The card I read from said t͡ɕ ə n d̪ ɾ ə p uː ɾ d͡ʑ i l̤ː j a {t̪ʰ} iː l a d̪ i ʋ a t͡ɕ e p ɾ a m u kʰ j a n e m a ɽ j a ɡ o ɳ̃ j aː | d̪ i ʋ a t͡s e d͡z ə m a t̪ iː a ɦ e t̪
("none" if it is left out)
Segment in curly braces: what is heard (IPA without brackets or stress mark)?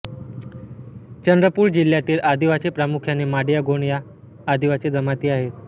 t̪